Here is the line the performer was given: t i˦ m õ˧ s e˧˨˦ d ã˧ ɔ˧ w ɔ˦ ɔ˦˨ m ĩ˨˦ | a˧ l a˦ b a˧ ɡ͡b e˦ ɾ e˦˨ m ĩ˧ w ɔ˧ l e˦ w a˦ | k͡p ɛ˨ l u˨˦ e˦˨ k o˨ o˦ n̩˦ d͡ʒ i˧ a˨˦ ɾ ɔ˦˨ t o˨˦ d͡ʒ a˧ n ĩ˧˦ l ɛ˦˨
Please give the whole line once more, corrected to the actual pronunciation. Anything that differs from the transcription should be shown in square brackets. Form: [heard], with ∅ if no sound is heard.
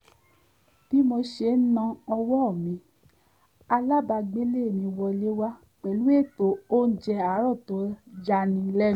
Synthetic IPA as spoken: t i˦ m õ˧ [ʃ] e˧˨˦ [n] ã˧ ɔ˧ w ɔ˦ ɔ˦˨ m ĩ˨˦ | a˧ l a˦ b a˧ ɡ͡b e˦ [l] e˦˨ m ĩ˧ w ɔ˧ l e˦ w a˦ | k͡p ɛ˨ l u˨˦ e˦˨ [t] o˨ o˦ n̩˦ d͡ʒ [ɛ˧] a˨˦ ɾ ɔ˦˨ t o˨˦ d͡ʒ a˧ n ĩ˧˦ l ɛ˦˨

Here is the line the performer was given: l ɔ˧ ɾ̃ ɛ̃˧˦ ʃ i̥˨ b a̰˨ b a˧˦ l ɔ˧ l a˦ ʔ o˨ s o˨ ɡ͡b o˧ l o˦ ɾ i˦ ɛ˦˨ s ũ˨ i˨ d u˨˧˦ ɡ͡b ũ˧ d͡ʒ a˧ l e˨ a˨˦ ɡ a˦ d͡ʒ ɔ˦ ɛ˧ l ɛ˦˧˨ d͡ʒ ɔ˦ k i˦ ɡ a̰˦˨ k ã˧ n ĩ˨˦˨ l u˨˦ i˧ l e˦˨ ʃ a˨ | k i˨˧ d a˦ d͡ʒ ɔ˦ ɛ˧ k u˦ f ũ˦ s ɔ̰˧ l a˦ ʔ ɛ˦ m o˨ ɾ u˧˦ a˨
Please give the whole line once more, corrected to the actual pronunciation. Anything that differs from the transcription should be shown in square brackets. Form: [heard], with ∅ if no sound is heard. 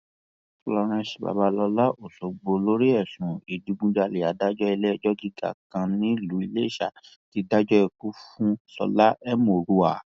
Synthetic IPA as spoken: l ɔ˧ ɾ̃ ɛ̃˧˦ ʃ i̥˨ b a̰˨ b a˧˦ l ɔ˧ l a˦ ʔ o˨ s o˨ ɡ͡b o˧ l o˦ ɾ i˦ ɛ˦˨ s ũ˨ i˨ d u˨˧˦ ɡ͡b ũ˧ d͡ʒ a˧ l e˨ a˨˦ [d] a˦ d͡ʒ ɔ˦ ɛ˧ l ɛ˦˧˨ d͡ʒ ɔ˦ [ɡ] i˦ ɡ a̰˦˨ k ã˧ n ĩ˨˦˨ l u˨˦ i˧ l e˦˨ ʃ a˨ | [t] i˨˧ d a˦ d͡ʒ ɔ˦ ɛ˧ k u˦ f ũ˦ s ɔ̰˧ l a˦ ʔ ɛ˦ m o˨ ɾ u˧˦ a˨

